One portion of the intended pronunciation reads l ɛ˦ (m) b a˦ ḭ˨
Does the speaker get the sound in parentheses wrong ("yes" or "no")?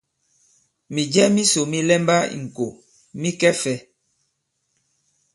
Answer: no